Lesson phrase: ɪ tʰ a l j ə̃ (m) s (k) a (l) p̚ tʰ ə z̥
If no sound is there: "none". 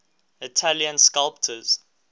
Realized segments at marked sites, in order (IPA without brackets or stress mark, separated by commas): n, k, l